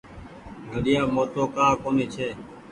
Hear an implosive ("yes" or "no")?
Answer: yes